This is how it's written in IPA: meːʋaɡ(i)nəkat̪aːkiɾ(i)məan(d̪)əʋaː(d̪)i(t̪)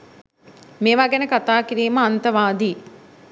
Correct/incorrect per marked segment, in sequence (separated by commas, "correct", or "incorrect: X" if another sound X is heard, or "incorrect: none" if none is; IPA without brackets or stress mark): incorrect: e, incorrect: iː, incorrect: t̪, correct, incorrect: none